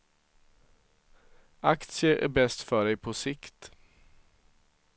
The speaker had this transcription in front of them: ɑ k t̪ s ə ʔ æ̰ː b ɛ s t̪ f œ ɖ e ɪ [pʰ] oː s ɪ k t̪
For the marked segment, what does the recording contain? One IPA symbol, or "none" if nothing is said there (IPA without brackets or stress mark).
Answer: pʰ